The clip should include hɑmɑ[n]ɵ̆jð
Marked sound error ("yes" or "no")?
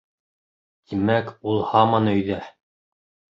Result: no